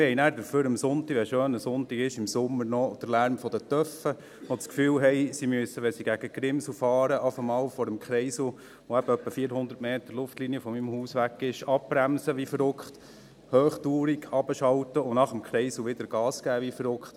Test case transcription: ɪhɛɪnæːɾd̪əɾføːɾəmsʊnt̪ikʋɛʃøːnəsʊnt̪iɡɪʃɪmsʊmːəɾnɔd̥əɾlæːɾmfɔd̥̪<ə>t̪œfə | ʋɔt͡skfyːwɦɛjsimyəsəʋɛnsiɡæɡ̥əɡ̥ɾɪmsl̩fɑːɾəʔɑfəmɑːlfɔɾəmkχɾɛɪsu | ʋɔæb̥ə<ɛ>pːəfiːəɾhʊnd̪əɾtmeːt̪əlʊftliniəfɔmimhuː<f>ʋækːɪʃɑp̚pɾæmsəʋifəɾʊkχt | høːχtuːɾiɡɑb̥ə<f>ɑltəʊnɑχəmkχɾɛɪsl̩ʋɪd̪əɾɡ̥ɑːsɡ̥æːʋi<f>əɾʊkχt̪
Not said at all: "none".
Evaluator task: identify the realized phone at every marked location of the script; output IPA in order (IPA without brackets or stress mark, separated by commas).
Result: ə, œ, s, ʃ, f